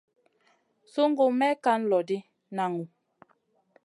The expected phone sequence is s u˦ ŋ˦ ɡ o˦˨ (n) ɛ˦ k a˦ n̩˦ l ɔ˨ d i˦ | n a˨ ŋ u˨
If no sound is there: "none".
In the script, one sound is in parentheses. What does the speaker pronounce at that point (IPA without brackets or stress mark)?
m